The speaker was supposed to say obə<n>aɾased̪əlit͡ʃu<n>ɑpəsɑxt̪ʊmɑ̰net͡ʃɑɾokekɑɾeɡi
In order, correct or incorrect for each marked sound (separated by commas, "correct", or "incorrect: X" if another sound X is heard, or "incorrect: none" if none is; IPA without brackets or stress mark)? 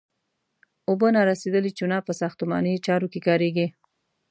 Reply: correct, correct